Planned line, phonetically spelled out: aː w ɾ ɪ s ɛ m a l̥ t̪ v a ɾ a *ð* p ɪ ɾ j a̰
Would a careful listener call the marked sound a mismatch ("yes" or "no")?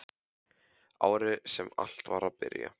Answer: no